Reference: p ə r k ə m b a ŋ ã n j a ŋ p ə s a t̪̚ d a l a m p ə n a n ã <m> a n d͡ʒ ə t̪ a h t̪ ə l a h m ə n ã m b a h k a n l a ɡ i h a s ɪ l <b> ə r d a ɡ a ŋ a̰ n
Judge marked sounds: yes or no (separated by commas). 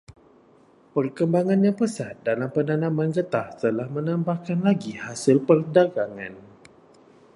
yes, no